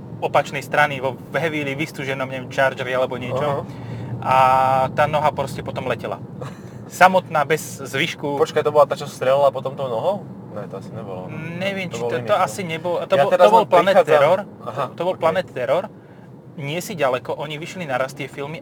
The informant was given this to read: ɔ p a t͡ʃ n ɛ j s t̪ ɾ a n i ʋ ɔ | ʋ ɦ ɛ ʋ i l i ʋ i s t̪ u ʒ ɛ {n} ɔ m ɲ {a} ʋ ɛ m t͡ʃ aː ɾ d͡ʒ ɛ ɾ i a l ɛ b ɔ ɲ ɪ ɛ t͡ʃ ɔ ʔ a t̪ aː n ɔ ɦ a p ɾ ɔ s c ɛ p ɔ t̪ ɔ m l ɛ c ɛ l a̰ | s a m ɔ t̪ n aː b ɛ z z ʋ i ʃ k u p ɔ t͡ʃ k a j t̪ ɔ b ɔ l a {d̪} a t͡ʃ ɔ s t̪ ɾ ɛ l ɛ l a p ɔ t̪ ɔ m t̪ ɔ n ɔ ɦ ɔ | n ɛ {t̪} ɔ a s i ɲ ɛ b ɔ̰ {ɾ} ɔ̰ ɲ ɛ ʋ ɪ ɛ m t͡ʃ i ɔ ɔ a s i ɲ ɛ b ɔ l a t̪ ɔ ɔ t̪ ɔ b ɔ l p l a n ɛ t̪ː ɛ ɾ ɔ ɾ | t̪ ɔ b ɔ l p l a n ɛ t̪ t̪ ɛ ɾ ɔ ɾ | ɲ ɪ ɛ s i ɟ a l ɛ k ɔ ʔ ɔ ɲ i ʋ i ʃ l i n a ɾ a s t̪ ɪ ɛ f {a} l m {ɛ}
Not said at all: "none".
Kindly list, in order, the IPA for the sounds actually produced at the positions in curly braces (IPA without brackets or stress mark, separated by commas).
n, ɛ, t̪, t̪, l, i, i